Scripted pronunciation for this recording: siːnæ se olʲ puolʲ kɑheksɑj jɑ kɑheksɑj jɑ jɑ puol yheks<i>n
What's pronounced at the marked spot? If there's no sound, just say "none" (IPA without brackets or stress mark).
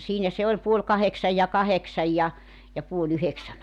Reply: æ